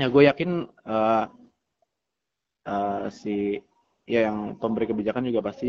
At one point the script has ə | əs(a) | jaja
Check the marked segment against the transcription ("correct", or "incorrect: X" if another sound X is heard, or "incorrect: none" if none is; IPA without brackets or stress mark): incorrect: i